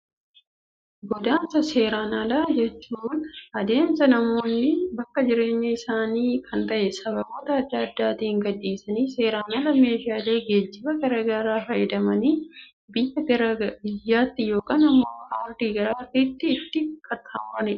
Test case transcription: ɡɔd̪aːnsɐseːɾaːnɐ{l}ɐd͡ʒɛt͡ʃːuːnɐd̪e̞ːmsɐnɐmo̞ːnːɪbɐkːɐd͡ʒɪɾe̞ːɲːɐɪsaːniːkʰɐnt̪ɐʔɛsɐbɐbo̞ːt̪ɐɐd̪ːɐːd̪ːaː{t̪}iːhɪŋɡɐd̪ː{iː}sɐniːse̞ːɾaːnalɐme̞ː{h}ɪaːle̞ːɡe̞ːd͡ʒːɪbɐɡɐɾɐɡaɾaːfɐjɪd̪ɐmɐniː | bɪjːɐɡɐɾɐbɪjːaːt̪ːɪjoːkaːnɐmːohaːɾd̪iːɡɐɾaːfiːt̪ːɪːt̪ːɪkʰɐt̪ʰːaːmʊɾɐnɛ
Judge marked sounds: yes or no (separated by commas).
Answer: yes, yes, yes, no